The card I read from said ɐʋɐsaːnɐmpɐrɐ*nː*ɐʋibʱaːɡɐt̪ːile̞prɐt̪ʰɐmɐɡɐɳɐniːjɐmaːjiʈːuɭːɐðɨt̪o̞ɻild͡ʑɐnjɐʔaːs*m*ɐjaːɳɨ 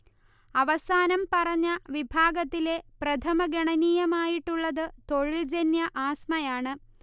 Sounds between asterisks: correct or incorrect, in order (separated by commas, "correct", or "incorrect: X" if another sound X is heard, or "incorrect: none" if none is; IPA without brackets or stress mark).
incorrect: ɲː, correct